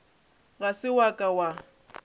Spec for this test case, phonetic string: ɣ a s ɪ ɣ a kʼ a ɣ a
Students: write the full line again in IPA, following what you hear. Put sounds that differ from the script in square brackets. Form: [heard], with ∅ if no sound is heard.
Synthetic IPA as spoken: ɣ a s ɪ [w] a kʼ a [w] a